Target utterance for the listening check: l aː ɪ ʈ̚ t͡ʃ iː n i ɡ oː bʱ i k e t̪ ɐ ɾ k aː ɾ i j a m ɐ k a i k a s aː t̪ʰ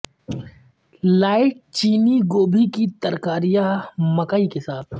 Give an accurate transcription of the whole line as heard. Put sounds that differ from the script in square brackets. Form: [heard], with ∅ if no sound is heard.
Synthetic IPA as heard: l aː ɪ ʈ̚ t͡ʃ iː n i ɡ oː bʱ i k [i] t̪ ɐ ɾ k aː ɾ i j a m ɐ k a i k [e] s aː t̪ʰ